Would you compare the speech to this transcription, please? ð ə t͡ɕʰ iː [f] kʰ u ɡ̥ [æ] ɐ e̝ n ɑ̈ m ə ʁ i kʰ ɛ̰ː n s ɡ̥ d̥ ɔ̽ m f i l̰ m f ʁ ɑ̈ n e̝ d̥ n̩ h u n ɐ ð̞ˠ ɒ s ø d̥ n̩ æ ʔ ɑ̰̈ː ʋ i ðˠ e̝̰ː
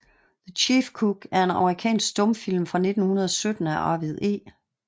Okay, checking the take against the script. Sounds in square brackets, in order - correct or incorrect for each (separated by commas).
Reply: correct, correct